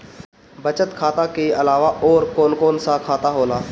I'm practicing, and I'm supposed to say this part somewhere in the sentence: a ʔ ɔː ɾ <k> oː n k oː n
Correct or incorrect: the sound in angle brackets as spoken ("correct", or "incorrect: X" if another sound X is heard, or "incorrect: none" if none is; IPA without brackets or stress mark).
correct